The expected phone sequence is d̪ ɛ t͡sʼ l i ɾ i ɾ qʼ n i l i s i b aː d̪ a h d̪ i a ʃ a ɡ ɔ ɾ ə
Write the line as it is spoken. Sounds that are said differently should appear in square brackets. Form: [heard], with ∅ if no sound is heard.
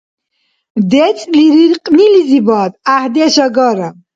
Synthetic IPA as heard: d̪ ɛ t͡sʼ l i ɾ i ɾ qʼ n i l i [z] i b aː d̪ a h d̪ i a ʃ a ɡ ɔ ɾ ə